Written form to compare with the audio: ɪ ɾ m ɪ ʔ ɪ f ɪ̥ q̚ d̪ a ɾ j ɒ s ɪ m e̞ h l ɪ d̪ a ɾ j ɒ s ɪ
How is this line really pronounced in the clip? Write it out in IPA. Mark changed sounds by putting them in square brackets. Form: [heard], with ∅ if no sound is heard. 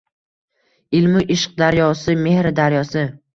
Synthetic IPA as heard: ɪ [l] m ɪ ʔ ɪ [ʃ] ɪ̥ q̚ d̪ a ɾ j ɒ s ɪ m e̞ h [ɾ] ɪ d̪ a ɾ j ɒ s ɪ